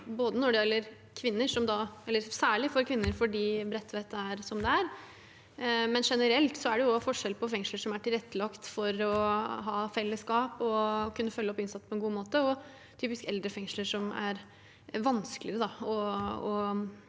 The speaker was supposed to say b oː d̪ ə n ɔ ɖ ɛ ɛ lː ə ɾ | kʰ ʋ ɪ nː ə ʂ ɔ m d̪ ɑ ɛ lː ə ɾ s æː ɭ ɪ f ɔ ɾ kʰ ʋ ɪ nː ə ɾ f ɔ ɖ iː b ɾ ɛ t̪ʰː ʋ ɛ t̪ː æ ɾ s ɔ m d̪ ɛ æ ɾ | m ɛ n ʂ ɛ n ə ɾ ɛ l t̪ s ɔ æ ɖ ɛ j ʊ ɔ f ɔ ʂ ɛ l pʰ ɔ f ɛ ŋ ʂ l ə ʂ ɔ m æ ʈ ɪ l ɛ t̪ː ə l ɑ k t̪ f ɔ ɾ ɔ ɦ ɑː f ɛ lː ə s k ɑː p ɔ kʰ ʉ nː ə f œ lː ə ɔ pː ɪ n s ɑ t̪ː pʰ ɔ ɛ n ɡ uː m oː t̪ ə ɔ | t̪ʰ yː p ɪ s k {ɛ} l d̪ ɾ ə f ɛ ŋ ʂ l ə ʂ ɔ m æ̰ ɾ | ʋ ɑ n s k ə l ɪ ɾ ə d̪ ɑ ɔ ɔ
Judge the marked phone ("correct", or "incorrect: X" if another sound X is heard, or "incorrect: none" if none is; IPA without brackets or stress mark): correct